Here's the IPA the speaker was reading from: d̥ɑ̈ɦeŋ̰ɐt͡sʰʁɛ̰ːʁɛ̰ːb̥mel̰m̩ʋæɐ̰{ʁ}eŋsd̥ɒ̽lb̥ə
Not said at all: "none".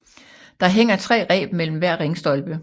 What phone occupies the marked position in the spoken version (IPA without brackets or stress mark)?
ʁ